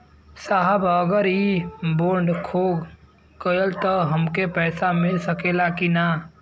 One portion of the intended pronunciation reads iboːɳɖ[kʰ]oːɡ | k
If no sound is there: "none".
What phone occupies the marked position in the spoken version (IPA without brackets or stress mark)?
kʰ